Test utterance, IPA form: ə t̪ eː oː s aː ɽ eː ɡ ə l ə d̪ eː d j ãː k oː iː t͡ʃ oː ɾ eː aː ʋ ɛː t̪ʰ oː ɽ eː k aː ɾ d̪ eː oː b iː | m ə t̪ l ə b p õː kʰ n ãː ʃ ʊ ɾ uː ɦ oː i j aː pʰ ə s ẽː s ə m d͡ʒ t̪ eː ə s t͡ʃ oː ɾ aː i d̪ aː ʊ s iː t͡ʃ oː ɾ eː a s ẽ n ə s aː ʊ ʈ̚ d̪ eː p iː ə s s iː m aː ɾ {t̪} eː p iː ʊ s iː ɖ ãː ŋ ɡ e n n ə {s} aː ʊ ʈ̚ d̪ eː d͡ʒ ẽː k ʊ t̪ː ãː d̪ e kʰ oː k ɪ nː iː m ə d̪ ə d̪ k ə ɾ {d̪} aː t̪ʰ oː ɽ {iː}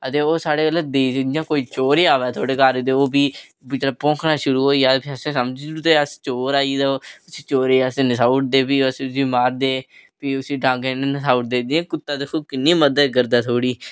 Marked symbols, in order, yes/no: no, yes, yes, yes

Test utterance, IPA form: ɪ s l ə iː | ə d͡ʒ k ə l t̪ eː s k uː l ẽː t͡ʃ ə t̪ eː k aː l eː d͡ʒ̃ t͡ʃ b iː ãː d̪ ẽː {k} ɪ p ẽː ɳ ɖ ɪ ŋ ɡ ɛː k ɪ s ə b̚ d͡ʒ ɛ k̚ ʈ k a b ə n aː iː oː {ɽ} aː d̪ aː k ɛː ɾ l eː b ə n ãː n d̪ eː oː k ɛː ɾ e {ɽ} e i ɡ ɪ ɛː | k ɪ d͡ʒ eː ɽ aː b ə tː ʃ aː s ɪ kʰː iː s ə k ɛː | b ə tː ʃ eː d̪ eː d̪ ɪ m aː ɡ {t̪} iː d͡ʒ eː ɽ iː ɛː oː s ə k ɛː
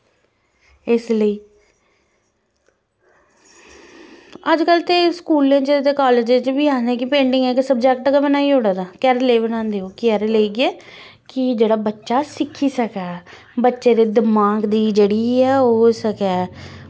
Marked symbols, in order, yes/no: yes, yes, no, no

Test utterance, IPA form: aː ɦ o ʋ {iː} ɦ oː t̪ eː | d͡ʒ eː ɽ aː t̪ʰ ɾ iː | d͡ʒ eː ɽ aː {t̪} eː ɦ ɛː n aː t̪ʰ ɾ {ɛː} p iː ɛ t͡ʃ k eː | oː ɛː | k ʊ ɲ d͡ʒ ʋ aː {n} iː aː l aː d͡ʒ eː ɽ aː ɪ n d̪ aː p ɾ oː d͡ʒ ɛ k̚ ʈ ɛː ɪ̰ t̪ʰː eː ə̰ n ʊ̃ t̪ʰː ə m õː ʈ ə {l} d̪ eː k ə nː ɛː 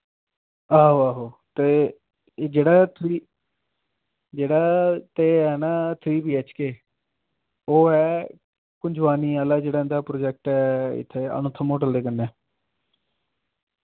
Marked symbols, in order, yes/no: no, yes, no, yes, yes

